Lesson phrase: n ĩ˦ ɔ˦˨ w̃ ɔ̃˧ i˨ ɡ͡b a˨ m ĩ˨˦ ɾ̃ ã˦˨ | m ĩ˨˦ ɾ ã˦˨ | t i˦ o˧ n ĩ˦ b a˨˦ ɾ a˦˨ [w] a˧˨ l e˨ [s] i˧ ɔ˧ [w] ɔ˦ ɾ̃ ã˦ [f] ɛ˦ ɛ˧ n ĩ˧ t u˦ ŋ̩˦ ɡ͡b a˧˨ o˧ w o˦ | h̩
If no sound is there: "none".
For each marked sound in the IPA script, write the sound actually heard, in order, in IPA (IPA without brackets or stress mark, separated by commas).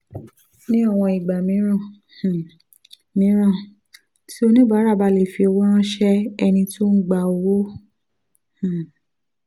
b, f, w, ʃ